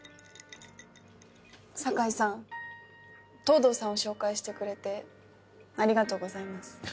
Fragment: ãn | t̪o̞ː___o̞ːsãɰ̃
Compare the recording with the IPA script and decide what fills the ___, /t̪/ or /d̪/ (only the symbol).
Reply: d̪